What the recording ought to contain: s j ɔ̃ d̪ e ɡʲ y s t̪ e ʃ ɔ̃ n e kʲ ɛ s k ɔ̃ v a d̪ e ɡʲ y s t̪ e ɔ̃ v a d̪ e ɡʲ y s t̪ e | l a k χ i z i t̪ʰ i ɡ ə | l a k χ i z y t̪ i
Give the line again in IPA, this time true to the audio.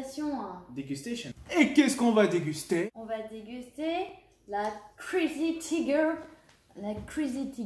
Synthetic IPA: s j ɔ̃ d̪ e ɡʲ y s t̪ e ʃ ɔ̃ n e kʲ ɛ s k ɔ̃ v a d̪ e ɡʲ y s t̪ e ɔ̃ v a d̪ e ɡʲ y s t̪ e | l a k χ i z i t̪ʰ i ɡ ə | l a k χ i z i t̪ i